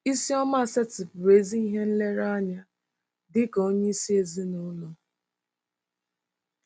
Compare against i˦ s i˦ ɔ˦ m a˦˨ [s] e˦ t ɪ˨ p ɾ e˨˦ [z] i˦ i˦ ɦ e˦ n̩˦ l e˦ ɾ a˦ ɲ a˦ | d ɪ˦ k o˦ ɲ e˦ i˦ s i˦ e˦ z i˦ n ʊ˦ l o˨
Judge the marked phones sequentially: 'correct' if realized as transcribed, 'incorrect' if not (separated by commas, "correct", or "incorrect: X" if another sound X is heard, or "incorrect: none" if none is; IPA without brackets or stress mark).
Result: correct, correct